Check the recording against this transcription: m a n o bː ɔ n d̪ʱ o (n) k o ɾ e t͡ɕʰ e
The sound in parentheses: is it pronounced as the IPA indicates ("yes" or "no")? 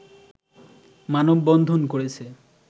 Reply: yes